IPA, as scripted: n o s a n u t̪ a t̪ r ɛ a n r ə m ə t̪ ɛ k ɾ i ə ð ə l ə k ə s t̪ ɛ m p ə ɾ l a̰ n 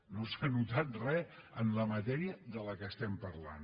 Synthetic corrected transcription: n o s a n u t̪ a t̪ r ɛ ə n l ə m ə t̪ ɛ ɾ i ə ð ə l ə k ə s t̪ ɛ m p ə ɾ l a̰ n